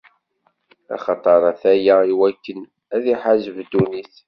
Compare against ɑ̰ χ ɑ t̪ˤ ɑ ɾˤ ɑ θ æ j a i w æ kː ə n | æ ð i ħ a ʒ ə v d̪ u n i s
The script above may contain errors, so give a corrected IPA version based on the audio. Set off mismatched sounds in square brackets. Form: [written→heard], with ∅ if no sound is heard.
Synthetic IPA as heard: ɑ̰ χ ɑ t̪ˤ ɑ ɾˤ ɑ θ æ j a i w æ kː ə n | æ ð i ħ a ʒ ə v d̪ u n i [s→θ]